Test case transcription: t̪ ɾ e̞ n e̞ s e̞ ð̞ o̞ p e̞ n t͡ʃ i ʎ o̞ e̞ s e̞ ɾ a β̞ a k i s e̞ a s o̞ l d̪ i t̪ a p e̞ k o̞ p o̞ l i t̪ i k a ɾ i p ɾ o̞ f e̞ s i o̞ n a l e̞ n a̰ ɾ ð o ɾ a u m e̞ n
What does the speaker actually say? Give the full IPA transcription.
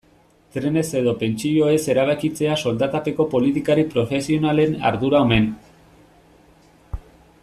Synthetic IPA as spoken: t̪ ɾ e̞ n e̞ s e̞ ð̞ o̞ p e̞ n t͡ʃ i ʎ o̞ e̞ s e̞ ɾ a β̞ a k i t͡s e̞ a s o̞ l d̪ a t̪ a p e̞ k o̞ p o̞ l i t̪ i k a ɾ i p ɾ o̞ f e̞ s i o̞ n a l e̞ n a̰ ɾ ð u ɾ a o m e̞ n